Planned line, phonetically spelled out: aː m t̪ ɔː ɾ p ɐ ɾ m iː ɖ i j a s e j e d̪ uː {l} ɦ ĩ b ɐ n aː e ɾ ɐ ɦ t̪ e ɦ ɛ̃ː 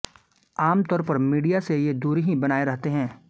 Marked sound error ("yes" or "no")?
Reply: yes